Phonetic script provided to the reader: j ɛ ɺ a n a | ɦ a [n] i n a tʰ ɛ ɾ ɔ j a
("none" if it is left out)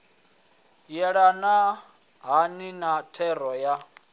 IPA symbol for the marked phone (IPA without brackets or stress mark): n